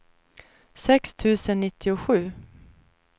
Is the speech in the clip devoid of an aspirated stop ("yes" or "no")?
no